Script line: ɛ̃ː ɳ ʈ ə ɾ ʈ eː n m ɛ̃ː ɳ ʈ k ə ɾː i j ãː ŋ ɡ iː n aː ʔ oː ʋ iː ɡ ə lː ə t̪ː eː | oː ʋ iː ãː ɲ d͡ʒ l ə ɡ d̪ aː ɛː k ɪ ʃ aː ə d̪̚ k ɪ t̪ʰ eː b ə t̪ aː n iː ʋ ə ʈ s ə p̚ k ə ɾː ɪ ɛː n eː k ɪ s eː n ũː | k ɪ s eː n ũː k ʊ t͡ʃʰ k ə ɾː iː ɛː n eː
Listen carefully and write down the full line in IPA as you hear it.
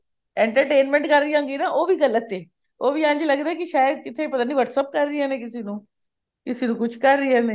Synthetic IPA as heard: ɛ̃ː ɳ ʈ ə ɾ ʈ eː n m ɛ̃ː ɳ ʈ k ə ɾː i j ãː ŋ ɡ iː n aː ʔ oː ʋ iː ɡ ə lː ə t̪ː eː | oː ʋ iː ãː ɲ d͡ʒ l ə ɡ d̪ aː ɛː k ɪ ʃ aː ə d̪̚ k ɪ t̪ʰ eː p ə t̪ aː n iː ʋ ə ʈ s ə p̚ k ə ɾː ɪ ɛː n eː k ɪ s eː n ũː | k ɪ s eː n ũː k ʊ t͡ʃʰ k ə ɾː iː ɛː n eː

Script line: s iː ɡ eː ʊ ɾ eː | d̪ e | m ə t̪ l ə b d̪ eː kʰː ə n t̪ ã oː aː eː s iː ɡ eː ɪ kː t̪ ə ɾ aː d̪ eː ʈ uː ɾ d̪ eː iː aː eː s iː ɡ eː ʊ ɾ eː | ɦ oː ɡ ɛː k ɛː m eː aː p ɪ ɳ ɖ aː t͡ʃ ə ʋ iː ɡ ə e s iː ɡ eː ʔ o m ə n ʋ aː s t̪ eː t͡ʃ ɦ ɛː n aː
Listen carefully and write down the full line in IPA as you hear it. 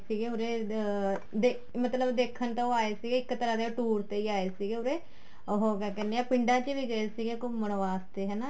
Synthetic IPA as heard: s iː ɡ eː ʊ ɾ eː | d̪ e | m ə t̪ l ə b d̪ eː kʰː ə n t̪ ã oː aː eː s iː ɡ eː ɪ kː t̪ ə ɾ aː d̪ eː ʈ uː ɾ t̪ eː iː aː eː s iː ɡ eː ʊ ɾ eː | ɦ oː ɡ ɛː k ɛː n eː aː p ɪ ɳ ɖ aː t͡ʃ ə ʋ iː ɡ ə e s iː ɡ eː k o m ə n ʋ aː s t̪ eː ɦ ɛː n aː

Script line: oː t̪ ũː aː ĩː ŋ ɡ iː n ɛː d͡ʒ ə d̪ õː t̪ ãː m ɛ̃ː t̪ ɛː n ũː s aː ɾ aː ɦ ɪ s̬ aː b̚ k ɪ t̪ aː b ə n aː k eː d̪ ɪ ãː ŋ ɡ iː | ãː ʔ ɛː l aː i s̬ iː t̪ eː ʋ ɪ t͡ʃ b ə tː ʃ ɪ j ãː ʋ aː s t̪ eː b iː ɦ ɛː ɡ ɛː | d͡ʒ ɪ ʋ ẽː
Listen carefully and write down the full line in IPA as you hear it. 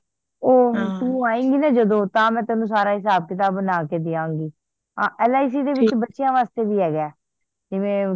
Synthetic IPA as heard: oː t̪ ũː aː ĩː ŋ ɡ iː n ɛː d͡ʒ ə d̪ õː t̪ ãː m ɛ̃ː t̪ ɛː n ũː s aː ɾ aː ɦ ɪ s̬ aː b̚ k ɪ t̪ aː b ə n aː k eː d̪ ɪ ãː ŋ ɡ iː | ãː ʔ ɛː l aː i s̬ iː d̪ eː ʋ ɪ t͡ʃ b ə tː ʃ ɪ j ãː ʋ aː s t̪ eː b iː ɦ ɛː ɡ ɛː | d͡ʒ ɪ ʋ ẽː

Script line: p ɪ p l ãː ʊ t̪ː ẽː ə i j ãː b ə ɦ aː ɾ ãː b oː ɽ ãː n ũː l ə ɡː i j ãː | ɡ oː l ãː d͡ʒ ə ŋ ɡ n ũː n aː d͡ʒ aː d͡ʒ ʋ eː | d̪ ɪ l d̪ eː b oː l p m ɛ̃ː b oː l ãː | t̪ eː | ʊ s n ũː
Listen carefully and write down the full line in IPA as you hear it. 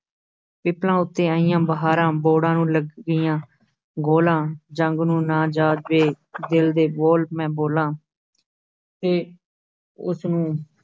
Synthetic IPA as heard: p ɪ p l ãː ʊ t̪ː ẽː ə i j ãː b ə ɦ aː ɾ ãː b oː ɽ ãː n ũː l ə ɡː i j ãː | ɡ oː l ãː d͡ʒ ə ŋ ɡ n ũː n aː d͡ʒ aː d͡ʒ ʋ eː | d̪ ɪ l d̪ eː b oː l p m ɛ̃ː b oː l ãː | t̪ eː | ʊ s n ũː

